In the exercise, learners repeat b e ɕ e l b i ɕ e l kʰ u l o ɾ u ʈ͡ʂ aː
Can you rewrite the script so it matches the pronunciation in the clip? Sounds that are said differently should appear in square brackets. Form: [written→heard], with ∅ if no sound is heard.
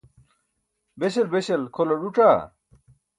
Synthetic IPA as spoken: b e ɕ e l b [i→e] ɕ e l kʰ [u→o] l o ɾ u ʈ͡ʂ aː